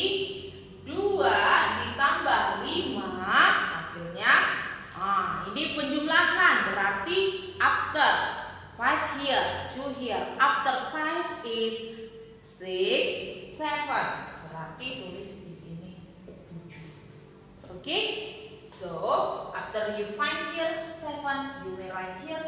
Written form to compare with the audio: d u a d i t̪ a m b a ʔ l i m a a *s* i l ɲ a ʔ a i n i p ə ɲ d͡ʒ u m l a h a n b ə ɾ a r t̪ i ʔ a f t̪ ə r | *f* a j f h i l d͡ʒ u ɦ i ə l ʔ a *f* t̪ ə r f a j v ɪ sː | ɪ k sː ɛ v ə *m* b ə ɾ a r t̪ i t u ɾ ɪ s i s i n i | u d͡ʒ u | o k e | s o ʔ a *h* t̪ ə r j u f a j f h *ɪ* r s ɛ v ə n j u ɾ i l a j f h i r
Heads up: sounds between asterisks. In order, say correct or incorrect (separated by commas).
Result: correct, correct, correct, incorrect, incorrect, incorrect